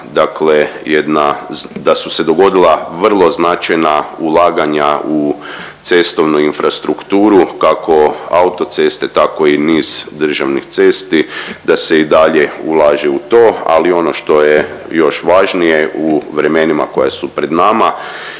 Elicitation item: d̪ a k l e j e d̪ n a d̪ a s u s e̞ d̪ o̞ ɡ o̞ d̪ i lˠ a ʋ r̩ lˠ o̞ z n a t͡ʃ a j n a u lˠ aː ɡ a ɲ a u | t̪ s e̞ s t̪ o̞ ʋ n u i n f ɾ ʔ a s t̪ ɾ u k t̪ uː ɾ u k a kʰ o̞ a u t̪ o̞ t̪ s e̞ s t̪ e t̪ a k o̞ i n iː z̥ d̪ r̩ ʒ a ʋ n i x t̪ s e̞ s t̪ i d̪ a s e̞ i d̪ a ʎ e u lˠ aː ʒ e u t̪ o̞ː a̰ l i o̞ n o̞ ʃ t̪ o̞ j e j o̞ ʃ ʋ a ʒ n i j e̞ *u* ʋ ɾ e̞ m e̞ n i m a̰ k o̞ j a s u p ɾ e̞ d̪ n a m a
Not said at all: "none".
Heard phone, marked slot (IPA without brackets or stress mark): u